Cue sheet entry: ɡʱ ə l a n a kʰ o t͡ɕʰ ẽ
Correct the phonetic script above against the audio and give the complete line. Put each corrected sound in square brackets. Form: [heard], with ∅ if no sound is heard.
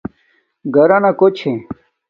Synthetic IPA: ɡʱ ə [ɾ] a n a [k] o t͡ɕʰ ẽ